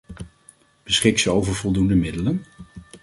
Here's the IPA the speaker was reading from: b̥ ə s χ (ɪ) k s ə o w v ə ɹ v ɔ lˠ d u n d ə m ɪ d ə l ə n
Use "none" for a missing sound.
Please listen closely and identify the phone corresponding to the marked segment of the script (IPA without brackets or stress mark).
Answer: ɪ